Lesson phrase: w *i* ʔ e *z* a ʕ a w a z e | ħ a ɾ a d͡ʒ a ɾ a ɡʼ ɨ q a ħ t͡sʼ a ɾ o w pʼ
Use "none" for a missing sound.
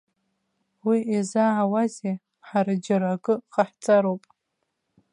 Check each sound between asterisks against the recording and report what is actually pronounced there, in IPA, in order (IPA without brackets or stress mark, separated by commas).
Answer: i, z